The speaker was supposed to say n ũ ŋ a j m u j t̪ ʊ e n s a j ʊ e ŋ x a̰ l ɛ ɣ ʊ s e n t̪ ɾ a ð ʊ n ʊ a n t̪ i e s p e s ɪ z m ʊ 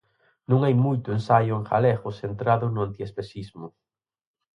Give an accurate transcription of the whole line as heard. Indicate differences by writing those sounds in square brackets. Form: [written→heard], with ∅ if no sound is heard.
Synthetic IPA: n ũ ŋ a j m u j t̪ ʊ e n s a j ʊ e ŋ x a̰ l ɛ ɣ ʊ s e n t̪ ɾ a ð ʊ n ʊ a n t̪ i e s p e s [ɪ→i] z m ʊ